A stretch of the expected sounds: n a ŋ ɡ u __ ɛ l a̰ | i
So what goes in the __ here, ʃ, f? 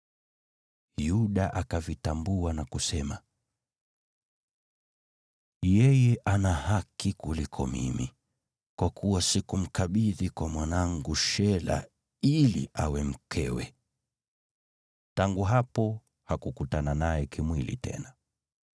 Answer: ʃ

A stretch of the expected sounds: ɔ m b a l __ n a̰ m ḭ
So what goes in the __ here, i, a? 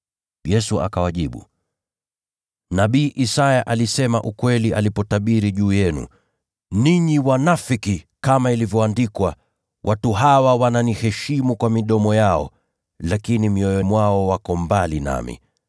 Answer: i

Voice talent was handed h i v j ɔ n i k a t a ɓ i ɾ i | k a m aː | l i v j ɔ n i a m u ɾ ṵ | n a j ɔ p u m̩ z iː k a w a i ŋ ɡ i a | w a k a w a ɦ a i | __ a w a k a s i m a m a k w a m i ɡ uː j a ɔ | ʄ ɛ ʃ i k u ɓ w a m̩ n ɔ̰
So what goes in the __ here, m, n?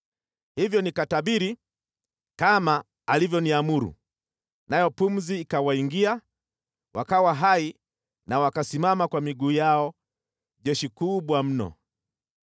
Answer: n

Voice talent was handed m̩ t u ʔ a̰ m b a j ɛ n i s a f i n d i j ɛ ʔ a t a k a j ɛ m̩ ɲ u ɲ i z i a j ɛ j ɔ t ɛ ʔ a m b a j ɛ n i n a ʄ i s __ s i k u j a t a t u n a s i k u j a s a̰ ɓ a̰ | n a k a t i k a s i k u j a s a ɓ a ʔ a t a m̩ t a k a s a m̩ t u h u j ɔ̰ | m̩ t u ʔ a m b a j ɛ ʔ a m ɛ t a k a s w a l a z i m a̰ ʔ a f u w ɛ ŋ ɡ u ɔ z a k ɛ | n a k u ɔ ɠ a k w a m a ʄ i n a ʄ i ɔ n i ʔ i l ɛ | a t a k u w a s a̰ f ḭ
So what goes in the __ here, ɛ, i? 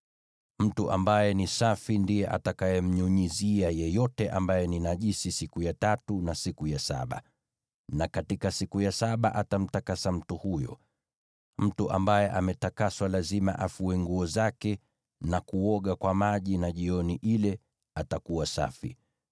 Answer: i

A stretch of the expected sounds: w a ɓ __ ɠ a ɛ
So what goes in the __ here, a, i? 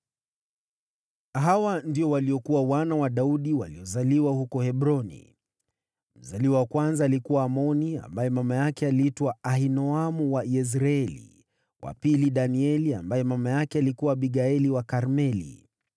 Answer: i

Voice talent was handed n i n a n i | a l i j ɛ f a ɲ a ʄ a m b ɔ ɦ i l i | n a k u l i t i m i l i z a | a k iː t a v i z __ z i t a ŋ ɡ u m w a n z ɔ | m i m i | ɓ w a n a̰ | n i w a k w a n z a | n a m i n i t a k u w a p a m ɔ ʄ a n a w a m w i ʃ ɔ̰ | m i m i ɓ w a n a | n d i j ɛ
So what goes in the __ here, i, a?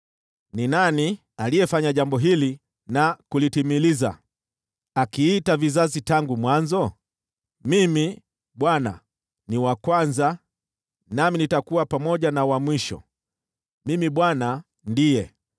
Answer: a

